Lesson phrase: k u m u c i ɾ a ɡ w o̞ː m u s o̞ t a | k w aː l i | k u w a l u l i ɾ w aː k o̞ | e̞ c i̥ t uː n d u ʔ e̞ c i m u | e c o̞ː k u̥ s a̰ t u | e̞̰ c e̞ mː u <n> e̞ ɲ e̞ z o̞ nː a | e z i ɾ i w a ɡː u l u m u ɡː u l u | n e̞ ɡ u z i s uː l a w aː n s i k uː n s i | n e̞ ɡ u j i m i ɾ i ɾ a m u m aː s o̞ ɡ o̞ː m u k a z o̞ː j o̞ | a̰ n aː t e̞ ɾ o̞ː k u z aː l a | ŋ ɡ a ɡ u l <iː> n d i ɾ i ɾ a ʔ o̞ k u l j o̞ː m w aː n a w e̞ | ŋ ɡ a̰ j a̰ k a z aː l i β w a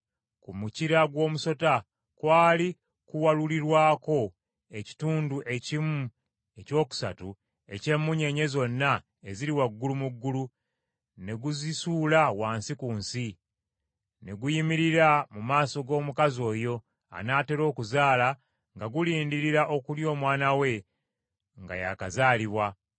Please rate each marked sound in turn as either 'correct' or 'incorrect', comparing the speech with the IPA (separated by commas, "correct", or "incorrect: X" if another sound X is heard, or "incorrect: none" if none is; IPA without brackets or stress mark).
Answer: incorrect: ɲ, correct